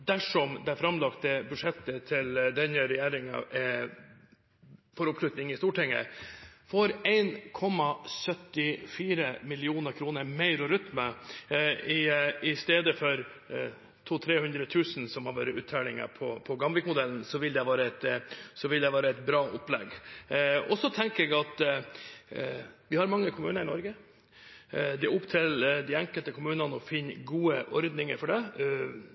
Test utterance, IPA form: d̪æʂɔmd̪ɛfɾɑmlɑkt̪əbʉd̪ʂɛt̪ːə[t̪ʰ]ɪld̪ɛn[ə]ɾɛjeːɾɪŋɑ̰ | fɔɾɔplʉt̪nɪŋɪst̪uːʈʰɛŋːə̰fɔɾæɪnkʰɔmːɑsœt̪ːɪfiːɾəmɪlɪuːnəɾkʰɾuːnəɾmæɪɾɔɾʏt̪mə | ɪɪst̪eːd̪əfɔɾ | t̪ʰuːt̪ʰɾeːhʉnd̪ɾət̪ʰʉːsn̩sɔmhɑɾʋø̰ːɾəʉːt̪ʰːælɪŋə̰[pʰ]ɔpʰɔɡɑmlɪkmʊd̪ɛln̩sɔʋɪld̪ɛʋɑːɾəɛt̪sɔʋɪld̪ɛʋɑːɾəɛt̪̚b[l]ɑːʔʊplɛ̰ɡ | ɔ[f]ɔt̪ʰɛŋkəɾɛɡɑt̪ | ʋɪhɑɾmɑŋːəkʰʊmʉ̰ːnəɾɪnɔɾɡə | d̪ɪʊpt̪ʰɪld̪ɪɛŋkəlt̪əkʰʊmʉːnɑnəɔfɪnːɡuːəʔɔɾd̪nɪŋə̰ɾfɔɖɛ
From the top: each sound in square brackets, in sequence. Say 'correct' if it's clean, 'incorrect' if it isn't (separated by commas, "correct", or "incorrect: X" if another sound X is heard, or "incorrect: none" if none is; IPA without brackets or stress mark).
correct, correct, correct, incorrect: ɾ, incorrect: s